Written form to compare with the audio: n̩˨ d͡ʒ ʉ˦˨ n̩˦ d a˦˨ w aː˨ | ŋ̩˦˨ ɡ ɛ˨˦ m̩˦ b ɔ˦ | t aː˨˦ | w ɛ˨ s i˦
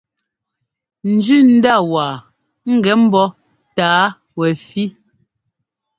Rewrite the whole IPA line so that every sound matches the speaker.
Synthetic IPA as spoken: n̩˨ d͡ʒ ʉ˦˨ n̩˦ d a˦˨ w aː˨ | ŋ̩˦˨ ɡ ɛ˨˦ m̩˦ b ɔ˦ | t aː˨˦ | w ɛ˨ f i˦